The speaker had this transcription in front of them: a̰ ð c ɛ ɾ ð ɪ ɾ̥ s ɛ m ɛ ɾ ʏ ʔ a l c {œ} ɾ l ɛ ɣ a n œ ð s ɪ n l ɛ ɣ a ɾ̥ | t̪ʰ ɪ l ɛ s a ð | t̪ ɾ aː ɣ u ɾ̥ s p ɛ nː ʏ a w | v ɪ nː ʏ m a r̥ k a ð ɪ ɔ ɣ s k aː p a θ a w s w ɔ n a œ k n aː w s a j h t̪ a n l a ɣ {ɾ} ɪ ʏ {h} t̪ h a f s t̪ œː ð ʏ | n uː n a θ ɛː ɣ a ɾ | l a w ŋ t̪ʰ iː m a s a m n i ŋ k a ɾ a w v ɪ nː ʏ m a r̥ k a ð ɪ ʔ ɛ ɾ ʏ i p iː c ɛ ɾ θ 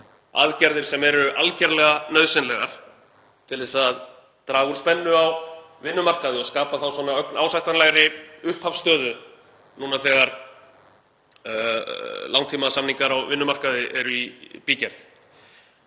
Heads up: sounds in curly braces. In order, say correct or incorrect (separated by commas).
incorrect, correct, correct